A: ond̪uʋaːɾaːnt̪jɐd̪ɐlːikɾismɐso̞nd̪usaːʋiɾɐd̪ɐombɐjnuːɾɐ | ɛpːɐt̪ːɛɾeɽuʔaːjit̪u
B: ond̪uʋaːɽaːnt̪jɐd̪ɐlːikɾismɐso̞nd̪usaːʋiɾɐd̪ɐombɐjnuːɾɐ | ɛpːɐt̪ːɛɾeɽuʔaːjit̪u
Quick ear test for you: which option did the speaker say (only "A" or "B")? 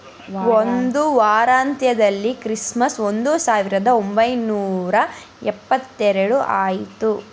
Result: A